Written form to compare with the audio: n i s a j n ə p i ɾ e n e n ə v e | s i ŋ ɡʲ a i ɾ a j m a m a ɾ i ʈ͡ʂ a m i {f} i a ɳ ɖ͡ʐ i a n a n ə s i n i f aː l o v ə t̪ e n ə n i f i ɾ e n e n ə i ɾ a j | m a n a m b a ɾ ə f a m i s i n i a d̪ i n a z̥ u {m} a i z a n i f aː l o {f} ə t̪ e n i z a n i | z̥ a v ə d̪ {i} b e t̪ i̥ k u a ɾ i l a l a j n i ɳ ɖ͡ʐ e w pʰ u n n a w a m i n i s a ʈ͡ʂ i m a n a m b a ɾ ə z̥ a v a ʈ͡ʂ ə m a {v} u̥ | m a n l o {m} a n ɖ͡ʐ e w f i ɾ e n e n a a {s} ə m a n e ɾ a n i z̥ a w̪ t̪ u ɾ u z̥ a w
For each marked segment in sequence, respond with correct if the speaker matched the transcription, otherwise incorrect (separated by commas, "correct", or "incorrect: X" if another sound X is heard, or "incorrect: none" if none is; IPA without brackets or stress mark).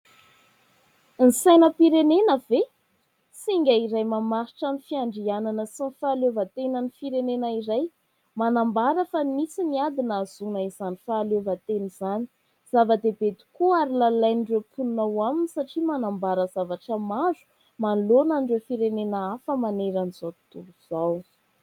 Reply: correct, incorrect: n, incorrect: v, incorrect: e, incorrect: z, incorrect: n, incorrect: f